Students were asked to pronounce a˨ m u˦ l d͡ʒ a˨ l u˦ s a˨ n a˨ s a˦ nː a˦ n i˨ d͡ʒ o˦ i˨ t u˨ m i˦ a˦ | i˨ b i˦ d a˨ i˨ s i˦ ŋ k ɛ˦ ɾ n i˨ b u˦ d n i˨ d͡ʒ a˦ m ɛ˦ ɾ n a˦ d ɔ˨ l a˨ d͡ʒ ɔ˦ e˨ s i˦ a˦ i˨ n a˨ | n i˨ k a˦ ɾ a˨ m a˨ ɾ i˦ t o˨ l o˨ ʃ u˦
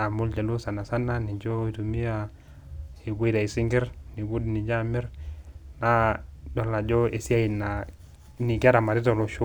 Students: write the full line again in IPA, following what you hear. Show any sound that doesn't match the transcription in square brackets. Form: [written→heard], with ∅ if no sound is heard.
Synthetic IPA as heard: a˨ m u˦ l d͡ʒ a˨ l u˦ s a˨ n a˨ s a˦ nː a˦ n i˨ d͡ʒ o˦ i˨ t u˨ m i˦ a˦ | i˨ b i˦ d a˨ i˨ s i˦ ŋ [k→ɡ] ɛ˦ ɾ n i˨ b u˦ d n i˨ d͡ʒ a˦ m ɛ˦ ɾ n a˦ d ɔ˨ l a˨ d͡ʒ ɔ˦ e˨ s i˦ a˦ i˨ n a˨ | n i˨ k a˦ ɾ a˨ m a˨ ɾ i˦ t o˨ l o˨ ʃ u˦